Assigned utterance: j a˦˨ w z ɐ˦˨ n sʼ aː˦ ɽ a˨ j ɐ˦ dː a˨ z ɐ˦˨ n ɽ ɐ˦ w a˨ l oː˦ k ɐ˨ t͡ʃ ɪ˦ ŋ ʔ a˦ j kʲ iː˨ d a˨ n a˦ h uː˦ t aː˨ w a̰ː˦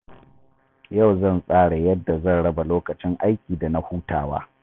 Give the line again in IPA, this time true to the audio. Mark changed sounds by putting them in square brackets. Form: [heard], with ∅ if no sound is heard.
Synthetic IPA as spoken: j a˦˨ w z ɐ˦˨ n sʼ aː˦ ɽ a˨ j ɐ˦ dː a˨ z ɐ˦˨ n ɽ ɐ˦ [b] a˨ l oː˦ k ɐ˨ t͡ʃ ɪ˦ ŋ ʔ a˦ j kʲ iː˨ d a˨ n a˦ h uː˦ t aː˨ w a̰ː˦